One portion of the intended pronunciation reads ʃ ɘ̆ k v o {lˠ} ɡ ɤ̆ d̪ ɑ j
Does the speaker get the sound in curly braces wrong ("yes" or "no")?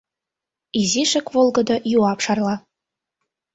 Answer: no